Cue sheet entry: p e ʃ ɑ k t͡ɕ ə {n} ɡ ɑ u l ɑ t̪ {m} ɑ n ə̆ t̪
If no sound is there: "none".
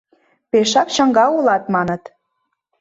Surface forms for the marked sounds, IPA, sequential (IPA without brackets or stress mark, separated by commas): ŋ, m